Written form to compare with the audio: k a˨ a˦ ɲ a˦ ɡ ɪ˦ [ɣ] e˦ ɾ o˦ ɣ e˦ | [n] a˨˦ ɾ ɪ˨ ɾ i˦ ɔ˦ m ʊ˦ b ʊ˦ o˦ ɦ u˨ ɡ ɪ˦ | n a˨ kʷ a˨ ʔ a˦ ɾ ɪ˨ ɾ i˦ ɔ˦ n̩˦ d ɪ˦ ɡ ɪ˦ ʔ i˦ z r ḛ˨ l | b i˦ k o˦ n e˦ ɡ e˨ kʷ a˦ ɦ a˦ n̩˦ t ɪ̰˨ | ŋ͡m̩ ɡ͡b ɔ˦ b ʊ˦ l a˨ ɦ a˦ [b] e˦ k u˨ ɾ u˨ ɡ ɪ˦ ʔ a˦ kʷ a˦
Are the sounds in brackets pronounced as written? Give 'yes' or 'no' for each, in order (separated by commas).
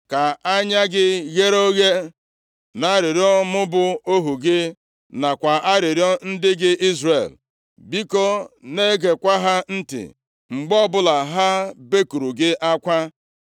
yes, yes, yes